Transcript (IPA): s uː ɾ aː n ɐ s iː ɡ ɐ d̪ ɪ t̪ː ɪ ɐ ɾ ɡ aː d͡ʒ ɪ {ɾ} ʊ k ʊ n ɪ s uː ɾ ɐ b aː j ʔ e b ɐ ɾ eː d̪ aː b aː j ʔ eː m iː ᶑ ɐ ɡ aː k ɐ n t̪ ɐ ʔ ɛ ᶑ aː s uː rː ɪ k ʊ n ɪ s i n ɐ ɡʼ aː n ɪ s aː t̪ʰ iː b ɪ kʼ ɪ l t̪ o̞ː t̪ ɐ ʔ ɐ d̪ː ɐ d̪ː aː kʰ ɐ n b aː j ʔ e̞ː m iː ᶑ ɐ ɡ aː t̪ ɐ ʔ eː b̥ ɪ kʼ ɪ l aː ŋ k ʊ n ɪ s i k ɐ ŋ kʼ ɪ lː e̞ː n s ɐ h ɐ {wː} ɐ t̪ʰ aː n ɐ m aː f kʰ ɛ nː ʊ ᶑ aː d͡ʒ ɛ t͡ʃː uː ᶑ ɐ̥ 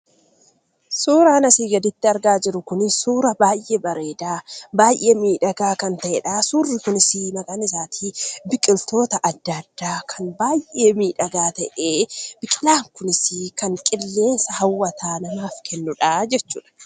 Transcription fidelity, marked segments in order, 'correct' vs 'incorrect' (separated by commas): correct, correct